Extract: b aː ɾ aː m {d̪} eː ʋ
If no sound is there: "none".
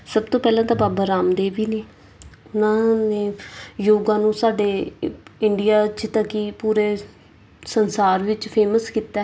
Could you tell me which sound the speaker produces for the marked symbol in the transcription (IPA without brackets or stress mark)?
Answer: d̪